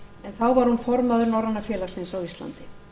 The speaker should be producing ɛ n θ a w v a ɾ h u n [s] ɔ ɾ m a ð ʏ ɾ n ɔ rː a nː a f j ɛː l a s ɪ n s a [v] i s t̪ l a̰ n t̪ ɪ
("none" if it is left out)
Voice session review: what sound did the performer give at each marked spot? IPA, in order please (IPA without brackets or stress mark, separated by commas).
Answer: f, w